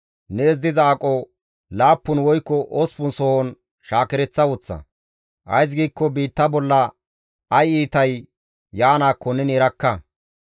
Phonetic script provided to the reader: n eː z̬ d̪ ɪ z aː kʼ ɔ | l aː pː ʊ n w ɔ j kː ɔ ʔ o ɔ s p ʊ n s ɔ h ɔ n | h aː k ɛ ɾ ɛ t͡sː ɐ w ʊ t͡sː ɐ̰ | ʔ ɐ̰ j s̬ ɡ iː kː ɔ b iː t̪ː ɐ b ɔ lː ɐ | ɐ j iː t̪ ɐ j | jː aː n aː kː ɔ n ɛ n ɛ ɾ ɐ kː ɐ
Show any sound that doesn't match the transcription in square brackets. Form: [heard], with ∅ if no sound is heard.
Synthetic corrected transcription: n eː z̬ d̪ ɪ z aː kʼ ɔ | l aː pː ʊ n w ɔ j kː ɔ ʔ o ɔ s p ʊ n s ɔ h ɔ n | [ʃ] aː k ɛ ɾ ɛ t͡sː ɐ w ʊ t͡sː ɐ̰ | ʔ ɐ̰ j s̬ ɡ iː kː ɔ b iː t̪ː ɐ b ɔ lː ɐ | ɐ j iː t̪ ɐ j | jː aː n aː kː ɔ n ɛ n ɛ ɾ ɐ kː ɐ